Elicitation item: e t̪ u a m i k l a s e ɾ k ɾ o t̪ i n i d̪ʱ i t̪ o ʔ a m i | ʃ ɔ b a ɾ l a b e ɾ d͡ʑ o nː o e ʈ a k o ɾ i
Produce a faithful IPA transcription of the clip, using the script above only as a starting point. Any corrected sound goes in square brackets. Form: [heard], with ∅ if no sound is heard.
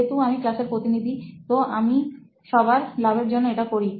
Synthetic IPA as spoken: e t̪ u a m i k l a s e ɾ [p] ɾ o t̪ i n i d̪ʱ i t̪ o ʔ a m i | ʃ ɔ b a ɾ l a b e ɾ d͡ʑ o nː o e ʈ a k o ɾ i